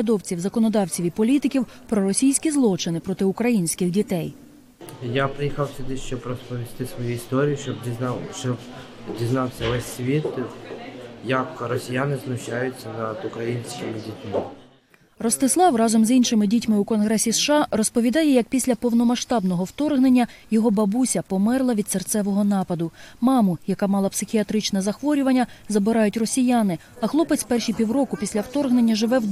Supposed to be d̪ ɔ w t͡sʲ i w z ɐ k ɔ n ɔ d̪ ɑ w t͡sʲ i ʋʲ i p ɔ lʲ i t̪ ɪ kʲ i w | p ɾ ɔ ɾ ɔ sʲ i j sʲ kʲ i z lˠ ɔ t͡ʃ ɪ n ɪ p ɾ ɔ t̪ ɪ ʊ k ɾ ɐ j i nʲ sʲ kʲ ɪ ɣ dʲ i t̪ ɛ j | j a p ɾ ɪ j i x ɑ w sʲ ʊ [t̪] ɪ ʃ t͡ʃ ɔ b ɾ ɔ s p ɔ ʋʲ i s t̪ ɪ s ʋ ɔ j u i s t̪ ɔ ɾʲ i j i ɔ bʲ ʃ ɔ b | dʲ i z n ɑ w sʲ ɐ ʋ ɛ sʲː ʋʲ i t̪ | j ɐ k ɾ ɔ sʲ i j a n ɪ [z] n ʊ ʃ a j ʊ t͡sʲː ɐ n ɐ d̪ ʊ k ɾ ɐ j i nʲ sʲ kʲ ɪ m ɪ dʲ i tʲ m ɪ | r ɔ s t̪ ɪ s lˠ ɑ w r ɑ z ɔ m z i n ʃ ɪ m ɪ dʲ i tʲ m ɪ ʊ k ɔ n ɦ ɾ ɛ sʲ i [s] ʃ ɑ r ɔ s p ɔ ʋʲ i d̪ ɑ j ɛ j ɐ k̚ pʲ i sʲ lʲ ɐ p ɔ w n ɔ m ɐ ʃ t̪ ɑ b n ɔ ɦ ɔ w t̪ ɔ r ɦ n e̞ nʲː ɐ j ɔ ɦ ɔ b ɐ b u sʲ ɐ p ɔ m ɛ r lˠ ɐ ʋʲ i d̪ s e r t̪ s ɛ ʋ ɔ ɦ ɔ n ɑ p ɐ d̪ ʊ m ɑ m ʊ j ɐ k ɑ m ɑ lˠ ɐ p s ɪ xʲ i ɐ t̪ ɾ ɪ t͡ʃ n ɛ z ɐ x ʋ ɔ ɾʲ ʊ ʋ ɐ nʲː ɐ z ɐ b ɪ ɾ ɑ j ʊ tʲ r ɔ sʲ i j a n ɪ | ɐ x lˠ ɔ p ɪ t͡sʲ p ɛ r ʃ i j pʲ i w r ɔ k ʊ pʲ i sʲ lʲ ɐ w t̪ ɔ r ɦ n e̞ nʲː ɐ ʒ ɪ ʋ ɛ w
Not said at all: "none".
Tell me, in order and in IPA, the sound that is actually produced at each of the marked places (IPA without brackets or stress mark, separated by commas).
d̪, z, s